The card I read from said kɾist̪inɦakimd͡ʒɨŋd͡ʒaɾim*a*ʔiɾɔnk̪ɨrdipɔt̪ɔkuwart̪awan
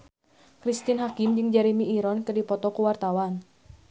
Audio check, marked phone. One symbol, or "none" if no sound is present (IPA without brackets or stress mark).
i